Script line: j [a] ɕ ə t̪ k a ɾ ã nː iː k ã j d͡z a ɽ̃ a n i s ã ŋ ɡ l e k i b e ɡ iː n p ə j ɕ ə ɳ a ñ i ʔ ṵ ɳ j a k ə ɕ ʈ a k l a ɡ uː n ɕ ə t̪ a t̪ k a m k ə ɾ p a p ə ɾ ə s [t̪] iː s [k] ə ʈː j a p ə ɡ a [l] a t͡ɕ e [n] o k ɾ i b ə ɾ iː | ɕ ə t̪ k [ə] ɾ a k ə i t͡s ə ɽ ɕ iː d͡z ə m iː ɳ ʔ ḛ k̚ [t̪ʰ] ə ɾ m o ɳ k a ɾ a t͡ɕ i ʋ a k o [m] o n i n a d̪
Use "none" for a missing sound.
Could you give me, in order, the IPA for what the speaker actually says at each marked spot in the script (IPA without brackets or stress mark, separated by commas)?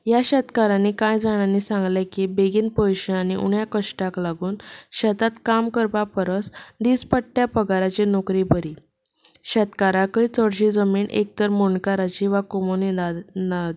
a, d̪, p, ɾ, n, a, t̪, m